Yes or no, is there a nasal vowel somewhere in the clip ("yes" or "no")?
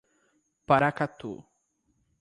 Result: no